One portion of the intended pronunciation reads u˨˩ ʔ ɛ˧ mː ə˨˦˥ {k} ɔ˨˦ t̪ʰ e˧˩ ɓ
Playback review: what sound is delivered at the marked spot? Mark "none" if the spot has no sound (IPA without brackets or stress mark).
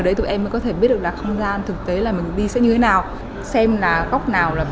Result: k